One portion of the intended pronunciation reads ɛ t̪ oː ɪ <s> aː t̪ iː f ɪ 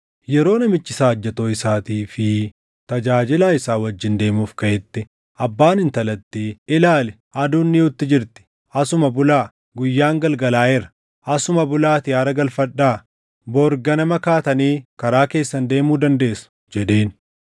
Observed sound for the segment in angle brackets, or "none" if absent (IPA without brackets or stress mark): s